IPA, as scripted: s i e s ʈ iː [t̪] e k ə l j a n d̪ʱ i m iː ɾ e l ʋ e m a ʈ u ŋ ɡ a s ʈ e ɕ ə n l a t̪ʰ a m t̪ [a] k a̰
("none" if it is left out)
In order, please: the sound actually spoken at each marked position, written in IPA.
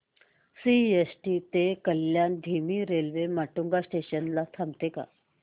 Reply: t̪, e

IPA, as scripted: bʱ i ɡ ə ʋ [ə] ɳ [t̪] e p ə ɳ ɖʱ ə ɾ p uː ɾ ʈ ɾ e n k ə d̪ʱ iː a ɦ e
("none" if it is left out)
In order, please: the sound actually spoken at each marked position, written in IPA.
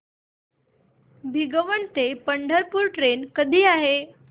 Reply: ə, t̪

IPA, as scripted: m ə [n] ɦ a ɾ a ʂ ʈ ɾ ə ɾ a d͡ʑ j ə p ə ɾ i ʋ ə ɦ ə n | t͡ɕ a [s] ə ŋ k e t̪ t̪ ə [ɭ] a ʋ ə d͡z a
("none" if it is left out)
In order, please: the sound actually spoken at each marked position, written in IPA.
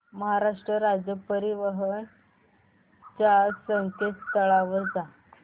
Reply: none, s, ɭ

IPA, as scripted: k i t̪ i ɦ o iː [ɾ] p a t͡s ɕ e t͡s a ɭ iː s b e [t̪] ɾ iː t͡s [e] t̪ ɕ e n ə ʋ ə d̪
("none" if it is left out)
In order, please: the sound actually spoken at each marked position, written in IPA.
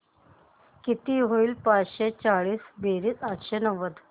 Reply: l, none, a

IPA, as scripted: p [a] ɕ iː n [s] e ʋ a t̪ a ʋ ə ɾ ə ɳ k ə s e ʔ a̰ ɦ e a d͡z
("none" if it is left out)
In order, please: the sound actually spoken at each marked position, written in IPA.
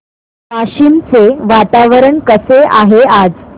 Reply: a, t͡s

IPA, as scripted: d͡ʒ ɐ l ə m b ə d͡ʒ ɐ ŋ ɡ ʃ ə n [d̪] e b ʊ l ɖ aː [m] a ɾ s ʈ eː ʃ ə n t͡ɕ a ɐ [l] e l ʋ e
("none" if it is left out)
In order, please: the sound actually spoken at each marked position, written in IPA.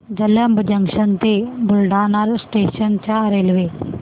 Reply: t̪, n, ɾ

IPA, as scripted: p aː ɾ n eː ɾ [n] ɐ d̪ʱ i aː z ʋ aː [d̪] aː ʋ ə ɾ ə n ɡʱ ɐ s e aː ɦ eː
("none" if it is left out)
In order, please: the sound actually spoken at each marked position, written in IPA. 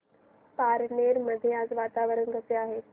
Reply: m, t̪

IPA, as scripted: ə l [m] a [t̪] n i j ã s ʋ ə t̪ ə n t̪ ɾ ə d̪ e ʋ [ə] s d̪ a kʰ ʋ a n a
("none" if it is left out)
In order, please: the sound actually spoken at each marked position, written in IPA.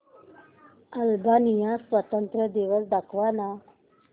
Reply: b, none, ə

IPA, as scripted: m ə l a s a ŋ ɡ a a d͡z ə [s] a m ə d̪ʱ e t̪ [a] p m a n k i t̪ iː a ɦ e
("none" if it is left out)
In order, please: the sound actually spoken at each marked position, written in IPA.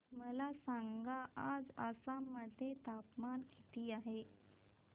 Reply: s, a

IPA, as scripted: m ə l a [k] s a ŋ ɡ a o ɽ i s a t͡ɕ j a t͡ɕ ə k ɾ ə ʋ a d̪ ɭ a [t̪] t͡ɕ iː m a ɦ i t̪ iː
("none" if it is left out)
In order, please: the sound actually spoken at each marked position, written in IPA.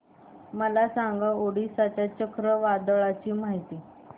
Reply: none, none

